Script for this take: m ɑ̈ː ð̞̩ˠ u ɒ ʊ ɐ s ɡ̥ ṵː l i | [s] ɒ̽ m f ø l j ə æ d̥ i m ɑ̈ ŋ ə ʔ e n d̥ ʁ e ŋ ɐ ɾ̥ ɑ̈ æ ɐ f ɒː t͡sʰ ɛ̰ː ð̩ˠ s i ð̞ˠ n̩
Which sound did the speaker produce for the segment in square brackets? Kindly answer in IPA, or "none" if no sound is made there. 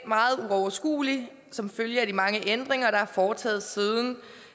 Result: s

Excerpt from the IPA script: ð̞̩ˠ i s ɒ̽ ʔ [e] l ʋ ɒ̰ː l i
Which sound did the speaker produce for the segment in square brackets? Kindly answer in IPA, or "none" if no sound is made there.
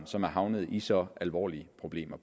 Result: æ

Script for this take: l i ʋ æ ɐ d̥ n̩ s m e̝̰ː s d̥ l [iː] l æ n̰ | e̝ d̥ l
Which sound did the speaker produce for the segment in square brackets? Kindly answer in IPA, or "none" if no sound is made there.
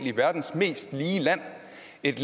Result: iː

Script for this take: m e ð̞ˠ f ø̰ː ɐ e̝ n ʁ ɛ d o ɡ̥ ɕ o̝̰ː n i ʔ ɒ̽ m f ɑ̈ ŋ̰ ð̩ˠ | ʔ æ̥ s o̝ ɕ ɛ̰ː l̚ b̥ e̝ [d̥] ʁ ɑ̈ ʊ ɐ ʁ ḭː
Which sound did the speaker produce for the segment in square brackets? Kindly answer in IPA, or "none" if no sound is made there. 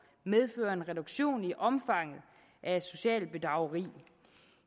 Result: d̥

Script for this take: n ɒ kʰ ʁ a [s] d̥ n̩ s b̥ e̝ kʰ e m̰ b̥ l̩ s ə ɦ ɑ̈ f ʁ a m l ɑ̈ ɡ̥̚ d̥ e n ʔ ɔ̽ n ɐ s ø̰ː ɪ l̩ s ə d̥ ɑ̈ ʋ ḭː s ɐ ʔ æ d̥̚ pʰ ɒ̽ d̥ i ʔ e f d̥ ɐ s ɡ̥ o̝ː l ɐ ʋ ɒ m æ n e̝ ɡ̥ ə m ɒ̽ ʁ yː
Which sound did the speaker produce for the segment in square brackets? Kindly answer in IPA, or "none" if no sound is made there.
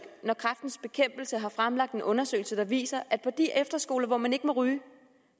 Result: f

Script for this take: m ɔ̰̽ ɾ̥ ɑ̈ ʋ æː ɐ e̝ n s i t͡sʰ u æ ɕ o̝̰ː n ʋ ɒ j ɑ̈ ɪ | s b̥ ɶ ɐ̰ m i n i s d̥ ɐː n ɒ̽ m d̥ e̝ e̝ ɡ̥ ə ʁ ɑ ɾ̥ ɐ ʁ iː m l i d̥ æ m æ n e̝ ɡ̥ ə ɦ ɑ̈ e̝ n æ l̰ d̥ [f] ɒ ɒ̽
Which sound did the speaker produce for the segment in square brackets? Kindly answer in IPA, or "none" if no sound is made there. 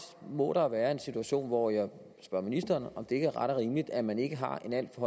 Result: f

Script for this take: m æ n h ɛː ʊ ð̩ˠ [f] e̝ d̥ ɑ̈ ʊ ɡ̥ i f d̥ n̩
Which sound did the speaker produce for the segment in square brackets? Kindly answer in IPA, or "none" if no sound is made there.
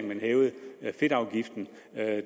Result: f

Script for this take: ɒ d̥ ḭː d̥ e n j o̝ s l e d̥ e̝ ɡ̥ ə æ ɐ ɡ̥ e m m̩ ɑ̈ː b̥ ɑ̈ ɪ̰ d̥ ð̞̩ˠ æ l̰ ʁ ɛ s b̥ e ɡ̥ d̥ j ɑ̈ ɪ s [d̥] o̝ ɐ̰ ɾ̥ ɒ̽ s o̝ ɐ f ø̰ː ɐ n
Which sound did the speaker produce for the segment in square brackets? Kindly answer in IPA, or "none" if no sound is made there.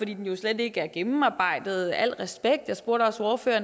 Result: b̥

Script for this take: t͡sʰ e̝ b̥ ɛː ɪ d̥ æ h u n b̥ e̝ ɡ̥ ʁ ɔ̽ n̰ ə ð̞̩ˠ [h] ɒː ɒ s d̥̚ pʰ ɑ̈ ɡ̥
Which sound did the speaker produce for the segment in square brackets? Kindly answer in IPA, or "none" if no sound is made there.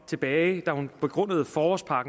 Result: f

